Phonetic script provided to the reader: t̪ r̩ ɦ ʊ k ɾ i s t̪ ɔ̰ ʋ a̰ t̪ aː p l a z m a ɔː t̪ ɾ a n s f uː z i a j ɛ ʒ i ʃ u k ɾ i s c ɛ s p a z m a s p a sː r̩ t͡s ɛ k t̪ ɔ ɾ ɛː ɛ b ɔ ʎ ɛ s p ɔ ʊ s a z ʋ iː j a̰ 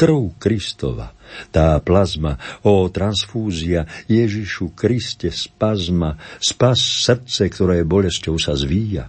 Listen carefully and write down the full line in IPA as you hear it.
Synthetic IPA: t̪ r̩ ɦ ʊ k ɾ i s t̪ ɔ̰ ʋ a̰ t̪ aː p l a z m a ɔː t̪ ɾ a n s f uː z i a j ɛ ʒ i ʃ u k ɾ i s c ɛ s p a z m a s p a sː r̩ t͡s ɛ k t̪ ɔ ɾ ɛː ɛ b ɔ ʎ ɛ s c ɔ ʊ s a z ʋ iː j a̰